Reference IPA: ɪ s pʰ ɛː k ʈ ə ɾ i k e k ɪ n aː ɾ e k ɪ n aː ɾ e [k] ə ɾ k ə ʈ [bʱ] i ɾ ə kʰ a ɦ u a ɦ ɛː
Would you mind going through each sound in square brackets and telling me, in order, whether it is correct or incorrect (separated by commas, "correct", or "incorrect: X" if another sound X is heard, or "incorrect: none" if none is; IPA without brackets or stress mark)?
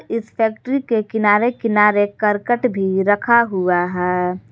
correct, correct